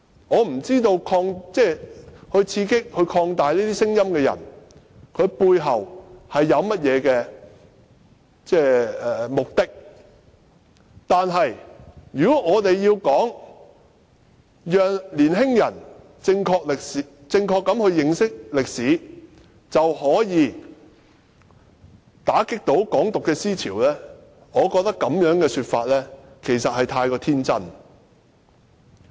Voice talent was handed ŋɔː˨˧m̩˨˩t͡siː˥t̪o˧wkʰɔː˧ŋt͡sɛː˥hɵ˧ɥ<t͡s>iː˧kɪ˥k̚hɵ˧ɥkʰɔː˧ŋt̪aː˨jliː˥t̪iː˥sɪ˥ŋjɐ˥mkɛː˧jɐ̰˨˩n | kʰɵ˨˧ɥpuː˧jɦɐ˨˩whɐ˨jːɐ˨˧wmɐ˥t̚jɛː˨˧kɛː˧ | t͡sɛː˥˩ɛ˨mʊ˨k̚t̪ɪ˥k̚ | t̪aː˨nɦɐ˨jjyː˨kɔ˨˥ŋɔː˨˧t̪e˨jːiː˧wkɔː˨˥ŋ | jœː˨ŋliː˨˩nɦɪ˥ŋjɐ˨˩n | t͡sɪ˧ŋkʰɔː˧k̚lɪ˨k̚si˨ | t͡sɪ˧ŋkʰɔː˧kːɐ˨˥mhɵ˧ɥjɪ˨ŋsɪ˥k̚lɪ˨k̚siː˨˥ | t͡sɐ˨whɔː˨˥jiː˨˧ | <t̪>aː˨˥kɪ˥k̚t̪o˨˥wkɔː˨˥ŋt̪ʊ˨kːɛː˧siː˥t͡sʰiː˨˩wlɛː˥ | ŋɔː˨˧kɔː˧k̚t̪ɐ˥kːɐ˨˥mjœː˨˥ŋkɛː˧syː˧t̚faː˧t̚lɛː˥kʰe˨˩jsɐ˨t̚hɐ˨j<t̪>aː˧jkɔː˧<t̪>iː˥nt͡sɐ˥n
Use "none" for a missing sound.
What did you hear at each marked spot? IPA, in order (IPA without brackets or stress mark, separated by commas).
t͡sʰ, t̪, t̪ʰ, t̪ʰ